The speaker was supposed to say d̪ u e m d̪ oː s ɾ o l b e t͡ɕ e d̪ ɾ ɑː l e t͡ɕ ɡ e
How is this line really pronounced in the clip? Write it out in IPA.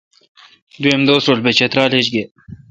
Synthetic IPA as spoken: d̪ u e m d̪ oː s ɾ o l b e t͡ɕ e t̪ ɾ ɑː l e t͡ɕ ɡ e